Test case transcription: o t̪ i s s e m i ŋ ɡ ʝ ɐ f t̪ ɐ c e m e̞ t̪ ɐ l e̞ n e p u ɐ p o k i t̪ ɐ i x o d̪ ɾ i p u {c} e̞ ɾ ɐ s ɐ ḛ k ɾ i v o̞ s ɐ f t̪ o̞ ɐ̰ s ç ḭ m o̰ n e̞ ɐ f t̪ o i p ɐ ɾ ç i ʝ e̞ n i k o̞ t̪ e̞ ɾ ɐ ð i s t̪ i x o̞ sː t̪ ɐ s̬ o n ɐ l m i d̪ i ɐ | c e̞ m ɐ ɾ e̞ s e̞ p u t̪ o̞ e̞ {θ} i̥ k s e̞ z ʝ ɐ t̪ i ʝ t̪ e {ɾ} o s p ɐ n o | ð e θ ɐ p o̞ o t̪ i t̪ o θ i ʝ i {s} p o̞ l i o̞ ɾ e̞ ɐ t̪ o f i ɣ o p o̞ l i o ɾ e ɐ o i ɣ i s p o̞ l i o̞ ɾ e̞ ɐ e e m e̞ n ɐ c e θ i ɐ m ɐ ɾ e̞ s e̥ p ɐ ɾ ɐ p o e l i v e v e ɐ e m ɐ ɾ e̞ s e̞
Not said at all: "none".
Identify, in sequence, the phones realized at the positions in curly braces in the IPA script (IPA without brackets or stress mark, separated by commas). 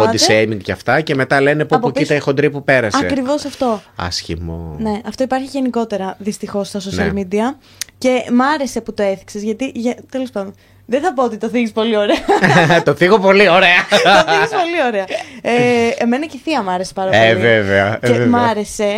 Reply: p, θ, l, s